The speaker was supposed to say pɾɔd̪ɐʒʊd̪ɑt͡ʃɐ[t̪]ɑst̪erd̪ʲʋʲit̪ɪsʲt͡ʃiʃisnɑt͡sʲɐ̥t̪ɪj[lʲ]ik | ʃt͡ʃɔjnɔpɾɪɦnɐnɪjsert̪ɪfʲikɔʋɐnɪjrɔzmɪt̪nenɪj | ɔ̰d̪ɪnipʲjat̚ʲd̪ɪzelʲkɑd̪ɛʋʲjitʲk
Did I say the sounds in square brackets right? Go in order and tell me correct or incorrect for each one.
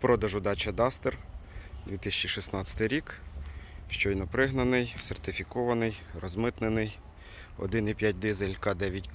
incorrect, incorrect

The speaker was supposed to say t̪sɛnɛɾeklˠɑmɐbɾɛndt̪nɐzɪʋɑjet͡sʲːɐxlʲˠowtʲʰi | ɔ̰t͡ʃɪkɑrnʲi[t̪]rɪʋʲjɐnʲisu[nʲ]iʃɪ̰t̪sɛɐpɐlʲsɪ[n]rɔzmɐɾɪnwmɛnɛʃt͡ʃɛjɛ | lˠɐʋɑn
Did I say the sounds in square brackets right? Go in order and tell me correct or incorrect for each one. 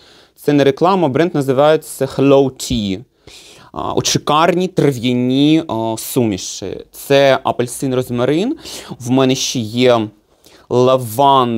correct, incorrect, correct

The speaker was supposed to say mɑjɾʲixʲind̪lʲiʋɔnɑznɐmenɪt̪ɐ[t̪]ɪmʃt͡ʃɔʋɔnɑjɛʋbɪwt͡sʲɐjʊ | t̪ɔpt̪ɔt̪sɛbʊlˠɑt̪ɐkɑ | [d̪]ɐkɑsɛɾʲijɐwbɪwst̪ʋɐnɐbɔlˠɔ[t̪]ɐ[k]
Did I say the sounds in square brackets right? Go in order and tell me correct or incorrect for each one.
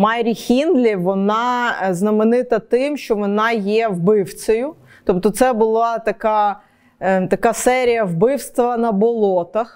correct, incorrect, correct, incorrect

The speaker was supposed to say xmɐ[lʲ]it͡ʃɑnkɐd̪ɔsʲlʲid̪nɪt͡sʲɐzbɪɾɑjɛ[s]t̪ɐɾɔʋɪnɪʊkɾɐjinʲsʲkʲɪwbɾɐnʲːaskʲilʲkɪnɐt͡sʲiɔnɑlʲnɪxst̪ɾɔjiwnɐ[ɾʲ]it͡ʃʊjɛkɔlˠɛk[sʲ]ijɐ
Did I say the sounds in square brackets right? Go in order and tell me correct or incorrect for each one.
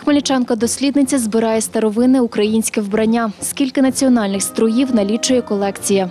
correct, correct, incorrect, incorrect

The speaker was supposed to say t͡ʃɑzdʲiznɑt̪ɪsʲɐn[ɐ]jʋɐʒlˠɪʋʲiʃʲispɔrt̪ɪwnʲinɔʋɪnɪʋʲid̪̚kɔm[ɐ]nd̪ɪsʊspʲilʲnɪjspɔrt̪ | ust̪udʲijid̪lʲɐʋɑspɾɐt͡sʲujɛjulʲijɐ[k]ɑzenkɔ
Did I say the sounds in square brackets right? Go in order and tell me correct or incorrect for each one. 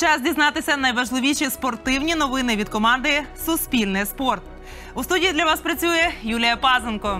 correct, incorrect, incorrect

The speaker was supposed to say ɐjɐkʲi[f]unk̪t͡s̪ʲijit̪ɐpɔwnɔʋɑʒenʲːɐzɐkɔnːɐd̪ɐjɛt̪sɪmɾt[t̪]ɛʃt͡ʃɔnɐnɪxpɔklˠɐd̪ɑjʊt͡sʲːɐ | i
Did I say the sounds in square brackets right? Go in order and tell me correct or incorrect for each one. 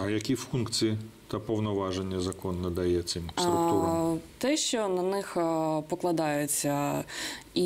correct, correct

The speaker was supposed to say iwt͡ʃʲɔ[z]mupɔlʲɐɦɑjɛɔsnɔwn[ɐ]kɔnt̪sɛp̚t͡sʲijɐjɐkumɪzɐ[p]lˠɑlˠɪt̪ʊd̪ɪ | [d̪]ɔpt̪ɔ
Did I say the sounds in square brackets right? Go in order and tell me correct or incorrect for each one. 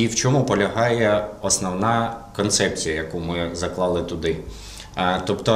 incorrect, incorrect, incorrect, incorrect

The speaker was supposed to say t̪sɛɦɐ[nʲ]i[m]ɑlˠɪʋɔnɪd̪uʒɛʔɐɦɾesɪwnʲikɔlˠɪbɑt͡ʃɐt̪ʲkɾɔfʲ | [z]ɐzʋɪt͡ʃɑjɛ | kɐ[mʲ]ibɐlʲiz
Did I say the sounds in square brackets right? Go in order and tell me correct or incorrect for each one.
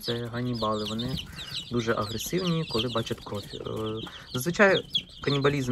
correct, incorrect, correct, incorrect

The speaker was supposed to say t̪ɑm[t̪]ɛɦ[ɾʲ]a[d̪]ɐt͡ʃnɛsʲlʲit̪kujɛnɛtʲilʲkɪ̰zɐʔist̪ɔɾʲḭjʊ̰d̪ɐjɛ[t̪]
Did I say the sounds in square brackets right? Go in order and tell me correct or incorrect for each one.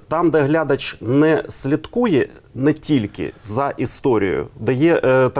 incorrect, incorrect, correct, correct

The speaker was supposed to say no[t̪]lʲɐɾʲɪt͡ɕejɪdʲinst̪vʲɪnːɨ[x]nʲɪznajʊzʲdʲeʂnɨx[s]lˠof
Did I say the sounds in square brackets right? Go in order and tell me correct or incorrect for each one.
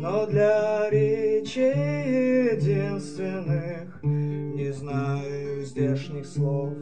incorrect, correct, correct

